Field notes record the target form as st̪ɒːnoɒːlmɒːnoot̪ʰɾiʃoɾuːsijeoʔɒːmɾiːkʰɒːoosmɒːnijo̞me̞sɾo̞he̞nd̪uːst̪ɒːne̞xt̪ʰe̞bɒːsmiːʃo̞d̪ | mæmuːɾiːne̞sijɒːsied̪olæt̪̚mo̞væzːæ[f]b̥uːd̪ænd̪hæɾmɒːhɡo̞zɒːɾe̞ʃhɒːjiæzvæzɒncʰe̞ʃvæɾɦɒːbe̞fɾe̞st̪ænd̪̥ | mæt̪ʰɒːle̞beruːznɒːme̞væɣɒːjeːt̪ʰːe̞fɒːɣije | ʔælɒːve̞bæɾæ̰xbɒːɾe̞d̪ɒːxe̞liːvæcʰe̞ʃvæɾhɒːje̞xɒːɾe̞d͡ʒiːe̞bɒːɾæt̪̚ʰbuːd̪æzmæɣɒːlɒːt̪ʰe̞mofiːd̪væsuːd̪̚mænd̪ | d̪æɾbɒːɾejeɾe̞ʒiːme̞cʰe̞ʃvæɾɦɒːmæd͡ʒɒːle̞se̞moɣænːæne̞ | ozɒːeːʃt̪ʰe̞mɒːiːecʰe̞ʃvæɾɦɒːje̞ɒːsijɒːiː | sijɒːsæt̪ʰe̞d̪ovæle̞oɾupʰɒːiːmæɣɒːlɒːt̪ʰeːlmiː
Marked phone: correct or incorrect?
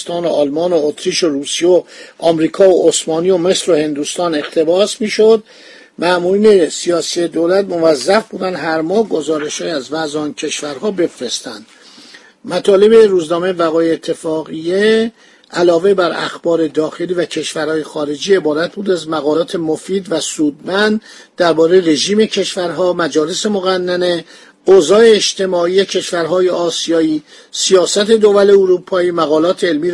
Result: correct